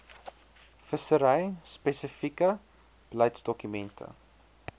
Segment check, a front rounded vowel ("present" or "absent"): present